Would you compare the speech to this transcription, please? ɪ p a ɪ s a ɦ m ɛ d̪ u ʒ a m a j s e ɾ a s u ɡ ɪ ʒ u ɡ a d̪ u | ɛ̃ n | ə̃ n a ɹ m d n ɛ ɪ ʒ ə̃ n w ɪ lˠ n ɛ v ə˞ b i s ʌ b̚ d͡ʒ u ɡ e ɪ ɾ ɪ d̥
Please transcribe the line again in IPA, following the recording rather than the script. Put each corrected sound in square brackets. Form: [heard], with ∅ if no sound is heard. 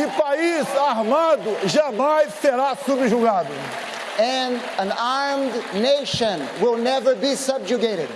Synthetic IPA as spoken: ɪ p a [i] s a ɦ m [a] d̪ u ʒ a m a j s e ɾ a s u [b] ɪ ʒ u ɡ a d̪ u | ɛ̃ n | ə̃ n a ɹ m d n [e] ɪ [ʃ] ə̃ n w ɪ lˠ n ɛ v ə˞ b i s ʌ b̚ d͡ʒ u ɡ e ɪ ɾ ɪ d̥